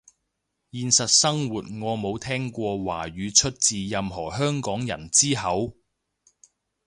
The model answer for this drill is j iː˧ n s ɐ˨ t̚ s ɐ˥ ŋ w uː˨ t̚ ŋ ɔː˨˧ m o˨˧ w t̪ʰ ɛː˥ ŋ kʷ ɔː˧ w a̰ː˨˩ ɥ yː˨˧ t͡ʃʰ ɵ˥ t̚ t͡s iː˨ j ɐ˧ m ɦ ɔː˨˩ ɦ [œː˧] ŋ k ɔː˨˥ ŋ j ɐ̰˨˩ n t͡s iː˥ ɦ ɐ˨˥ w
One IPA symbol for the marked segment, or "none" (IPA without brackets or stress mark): œː˥